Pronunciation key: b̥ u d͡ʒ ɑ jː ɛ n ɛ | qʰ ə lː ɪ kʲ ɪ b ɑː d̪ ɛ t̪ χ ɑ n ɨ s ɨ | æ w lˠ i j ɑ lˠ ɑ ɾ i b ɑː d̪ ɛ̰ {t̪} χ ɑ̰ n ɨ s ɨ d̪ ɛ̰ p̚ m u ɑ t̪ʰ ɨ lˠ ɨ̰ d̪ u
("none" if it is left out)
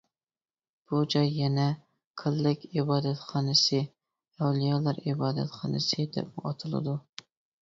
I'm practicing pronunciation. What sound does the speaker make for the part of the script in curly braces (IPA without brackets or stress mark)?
t̪